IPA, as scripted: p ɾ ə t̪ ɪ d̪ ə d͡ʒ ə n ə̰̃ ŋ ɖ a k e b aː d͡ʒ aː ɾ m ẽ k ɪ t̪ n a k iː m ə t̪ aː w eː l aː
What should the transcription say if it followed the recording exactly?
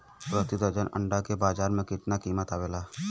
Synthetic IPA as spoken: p ɾ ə t̪ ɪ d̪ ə d͡ʒ ə n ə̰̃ ɳ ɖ a k e b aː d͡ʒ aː ɾ m ẽ k ɪ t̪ n a k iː m ə t̪ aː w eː l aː